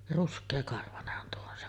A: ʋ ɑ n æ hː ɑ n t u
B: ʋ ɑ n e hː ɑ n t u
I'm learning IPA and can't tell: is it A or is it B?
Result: B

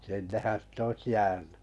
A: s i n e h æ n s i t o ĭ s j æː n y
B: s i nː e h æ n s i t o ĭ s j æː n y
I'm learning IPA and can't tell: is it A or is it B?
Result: B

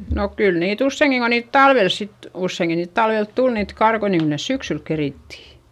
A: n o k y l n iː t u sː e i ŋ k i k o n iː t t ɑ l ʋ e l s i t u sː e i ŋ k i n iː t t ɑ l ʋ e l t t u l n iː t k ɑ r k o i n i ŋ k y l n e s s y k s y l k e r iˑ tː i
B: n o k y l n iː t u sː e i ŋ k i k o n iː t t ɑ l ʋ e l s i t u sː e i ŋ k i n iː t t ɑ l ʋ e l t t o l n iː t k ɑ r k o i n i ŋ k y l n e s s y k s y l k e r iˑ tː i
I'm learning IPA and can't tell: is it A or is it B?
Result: A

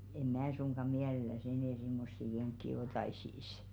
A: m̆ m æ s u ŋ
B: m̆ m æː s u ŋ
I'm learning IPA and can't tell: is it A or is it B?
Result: B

